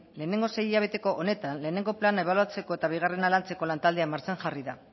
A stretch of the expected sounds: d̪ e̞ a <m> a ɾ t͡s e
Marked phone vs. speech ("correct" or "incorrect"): correct